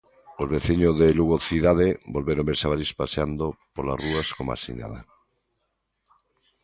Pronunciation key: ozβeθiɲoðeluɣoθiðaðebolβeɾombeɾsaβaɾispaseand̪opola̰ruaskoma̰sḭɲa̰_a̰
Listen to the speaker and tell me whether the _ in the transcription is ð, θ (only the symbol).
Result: ð